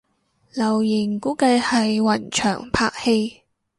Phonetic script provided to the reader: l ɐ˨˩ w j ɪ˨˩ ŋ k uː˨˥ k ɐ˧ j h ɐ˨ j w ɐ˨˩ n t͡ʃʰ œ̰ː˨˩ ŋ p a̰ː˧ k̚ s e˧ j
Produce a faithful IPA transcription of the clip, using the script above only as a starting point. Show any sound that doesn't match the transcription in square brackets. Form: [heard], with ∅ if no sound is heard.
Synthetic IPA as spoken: l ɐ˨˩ w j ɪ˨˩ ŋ k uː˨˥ k ɐ˧ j h ɐ˨ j w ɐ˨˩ n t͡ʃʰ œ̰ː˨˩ ŋ [pʰ] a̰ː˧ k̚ [h] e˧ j